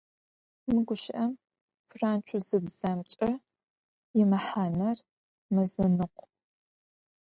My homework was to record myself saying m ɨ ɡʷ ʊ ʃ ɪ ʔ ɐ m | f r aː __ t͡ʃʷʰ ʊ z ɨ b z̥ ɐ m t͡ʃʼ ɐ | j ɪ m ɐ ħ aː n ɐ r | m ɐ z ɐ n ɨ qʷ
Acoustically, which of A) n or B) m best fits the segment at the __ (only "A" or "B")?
A